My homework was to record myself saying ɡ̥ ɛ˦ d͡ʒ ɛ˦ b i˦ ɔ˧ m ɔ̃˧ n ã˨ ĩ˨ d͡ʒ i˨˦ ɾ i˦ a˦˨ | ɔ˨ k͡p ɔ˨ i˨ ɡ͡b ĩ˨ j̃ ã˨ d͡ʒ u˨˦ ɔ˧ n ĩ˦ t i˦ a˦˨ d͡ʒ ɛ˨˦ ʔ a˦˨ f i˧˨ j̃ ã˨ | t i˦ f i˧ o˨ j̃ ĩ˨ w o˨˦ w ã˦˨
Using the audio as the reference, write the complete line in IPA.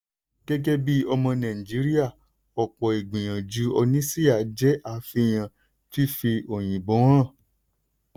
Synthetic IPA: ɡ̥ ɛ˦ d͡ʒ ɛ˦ b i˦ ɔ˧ m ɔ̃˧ n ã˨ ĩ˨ d͡ʒ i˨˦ ɾ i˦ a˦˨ | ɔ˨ k͡p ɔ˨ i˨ ɡ͡b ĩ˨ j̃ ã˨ d͡ʒ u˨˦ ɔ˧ n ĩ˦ s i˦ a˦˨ d͡ʒ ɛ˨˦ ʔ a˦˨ f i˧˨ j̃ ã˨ | t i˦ f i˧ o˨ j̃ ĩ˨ b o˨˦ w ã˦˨